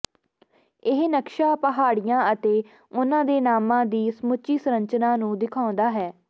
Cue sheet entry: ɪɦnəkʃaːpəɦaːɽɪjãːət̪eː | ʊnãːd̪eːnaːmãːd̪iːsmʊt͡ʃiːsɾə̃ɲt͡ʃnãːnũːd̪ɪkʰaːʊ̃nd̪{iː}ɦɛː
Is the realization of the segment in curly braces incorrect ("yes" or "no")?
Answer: yes